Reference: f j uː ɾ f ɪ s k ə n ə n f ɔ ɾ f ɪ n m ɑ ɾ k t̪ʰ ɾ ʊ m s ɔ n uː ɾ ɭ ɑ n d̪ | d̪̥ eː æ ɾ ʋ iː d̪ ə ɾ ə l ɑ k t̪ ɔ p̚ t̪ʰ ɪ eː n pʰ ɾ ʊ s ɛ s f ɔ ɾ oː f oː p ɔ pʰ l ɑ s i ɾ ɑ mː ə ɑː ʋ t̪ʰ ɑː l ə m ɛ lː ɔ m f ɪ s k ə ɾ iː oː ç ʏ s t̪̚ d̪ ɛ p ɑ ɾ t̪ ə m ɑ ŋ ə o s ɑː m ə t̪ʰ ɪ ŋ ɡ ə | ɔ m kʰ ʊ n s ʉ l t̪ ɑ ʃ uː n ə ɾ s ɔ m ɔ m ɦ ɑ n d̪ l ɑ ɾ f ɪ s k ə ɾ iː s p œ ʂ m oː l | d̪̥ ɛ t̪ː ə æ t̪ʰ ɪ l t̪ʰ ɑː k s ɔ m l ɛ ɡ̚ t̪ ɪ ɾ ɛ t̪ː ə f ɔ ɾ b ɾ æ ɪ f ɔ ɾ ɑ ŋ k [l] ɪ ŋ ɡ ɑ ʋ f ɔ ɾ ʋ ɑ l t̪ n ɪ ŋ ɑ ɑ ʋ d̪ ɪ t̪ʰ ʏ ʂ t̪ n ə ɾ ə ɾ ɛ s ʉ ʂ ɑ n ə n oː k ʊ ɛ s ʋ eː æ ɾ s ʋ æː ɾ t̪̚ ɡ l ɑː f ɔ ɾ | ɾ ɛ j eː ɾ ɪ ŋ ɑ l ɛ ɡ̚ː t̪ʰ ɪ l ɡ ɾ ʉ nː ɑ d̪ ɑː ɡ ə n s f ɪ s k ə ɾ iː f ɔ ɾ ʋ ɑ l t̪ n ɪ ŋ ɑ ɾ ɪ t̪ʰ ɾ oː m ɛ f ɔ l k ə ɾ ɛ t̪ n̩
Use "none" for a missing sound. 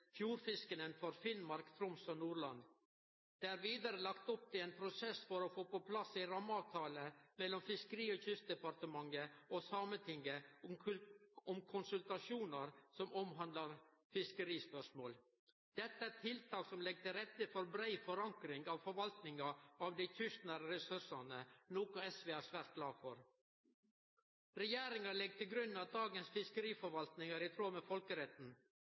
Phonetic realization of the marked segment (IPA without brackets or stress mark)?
ɾ